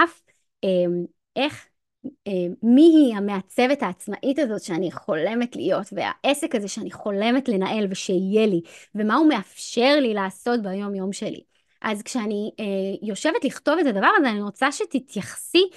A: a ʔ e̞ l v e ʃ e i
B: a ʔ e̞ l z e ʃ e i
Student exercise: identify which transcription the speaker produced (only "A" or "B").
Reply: A